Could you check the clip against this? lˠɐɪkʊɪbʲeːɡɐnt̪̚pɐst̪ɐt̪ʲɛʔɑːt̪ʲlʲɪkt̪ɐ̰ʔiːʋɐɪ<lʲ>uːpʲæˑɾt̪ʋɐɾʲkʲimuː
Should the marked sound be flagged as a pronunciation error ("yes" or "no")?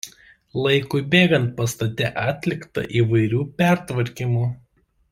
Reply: yes